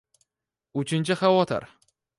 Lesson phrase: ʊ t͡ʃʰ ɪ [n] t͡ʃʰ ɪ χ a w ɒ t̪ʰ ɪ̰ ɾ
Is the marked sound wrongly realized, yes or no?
no